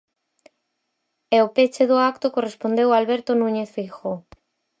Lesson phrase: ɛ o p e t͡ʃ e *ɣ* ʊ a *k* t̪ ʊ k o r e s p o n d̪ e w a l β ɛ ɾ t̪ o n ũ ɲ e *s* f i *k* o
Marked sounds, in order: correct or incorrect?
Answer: incorrect, correct, incorrect, incorrect

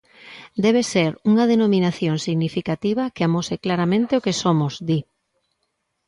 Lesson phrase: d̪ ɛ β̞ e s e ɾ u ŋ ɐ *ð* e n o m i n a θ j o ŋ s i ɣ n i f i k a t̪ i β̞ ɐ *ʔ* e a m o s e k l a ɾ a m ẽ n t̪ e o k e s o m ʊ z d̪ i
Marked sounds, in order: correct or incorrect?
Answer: correct, incorrect

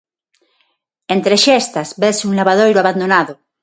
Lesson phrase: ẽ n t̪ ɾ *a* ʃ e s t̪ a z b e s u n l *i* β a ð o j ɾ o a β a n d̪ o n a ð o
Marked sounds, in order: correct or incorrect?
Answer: incorrect, incorrect

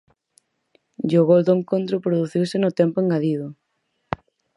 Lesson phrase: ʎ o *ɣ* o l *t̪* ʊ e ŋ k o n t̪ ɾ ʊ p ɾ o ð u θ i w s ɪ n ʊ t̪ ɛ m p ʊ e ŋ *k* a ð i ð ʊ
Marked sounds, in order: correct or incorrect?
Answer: correct, incorrect, incorrect

